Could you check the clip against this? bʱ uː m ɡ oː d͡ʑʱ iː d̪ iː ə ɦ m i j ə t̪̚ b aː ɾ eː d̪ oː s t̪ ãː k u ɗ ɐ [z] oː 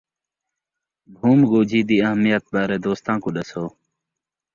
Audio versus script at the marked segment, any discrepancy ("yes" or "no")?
yes